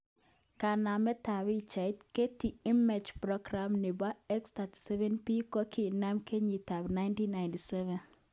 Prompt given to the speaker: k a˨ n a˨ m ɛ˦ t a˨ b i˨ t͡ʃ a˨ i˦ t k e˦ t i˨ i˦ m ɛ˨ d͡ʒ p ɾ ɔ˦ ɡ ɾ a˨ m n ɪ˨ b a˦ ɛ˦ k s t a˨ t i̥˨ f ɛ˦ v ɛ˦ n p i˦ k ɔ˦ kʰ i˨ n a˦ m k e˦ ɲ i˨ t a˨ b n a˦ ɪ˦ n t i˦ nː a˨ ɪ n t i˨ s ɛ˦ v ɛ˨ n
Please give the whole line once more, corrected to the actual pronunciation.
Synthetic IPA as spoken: k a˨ n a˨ m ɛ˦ t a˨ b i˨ t͡ʃ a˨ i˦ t k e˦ t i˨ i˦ m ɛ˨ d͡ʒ p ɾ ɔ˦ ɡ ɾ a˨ m n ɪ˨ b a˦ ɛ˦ k s t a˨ t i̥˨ s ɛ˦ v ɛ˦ n p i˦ k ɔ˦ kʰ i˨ n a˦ m k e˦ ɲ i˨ t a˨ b n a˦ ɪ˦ n t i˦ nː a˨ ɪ n t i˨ s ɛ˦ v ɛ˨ n